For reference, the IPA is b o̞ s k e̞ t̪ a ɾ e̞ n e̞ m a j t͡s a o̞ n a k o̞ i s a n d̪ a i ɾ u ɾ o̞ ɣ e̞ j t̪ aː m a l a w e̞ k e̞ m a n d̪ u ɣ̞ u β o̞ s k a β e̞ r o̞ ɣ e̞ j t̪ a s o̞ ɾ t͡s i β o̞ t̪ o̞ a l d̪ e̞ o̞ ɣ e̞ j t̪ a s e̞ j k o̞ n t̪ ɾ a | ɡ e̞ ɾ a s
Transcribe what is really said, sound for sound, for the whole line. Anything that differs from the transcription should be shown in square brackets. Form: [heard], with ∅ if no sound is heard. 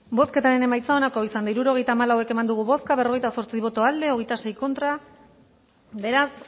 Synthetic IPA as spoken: b o̞ s k e̞ t̪ a ɾ e̞ n e̞ m a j t͡s a o̞ n a k o̞ i s a n d̪ a i ɾ u ɾ o̞ ɣ e̞ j t̪ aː m a l a w e̞ k e̞ m a n d̪ u ɣ̞ u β o̞ s k a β e̞ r o̞ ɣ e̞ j t̪ a s o̞ ɾ t͡s i β o̞ t̪ o̞ a l d̪ e̞ o̞ ɣ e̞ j t̪ a s e̞ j k o̞ n t̪ ɾ a | [b] e̞ ɾ a s